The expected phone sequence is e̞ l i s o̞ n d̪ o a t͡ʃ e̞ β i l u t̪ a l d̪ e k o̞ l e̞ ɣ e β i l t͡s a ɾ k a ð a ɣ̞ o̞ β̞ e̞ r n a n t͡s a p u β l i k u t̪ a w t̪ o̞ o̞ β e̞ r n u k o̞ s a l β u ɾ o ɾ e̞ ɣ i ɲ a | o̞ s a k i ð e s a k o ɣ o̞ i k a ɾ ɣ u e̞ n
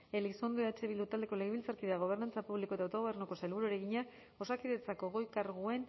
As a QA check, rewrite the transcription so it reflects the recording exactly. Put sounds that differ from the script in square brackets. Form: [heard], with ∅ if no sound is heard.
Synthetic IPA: e̞ l i s o̞ n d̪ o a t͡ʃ e̞ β i l u t̪ a l d̪ e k o̞ l e̞ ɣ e β i l t͡s a ɾ k [i] ð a ɣ̞ o̞ β̞ e̞ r n a n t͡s a p u β l i k [o] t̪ a w t̪ o̞ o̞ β e̞ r n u k o̞ s a l β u ɾ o ɾ e̞ ɣ i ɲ a | o̞ s a k i ð e [t͡s] a k o ɣ o̞ [j] k a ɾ ɣ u e̞ n